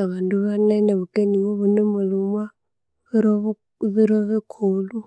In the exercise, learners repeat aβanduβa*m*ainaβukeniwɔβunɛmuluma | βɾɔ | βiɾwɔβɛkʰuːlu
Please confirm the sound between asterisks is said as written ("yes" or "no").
no